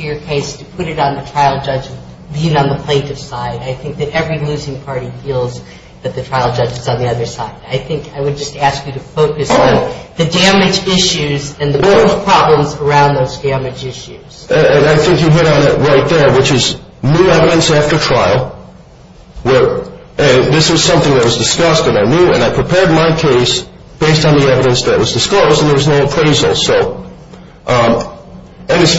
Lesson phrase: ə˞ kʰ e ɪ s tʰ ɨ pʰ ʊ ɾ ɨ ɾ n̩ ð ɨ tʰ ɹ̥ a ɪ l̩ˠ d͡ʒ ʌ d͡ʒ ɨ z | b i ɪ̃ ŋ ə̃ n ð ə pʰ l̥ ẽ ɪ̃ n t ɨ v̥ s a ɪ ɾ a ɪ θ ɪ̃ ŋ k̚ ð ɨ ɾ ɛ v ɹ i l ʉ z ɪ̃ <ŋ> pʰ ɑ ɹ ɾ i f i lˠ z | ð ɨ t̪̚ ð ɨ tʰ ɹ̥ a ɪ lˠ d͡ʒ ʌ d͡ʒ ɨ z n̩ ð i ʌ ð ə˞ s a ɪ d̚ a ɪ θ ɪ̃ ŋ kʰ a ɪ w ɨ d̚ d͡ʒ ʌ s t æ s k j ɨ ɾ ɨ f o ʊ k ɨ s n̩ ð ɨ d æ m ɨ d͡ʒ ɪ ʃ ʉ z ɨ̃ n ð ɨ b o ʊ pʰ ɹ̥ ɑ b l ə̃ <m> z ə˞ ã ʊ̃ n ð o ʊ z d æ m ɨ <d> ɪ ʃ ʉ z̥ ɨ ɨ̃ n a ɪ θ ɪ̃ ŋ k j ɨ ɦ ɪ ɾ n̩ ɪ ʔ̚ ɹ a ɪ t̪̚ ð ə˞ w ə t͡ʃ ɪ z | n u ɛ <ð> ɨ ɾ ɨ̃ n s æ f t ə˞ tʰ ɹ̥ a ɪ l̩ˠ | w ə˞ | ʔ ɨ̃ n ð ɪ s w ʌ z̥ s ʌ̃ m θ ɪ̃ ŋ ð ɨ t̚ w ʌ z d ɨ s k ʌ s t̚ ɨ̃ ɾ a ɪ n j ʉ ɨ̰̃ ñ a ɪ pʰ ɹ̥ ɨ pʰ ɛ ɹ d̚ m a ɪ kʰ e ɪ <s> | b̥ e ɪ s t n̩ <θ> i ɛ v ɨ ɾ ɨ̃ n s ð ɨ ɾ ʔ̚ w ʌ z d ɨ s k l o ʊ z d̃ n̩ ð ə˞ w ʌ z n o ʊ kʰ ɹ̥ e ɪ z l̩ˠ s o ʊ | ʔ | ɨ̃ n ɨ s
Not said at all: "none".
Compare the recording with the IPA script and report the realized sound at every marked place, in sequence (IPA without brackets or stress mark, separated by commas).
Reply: ŋ, m, d͡ʒ, v, s, ð